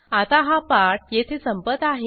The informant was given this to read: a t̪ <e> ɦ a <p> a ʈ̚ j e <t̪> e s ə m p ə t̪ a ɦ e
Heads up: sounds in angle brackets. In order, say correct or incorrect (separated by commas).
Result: incorrect, correct, incorrect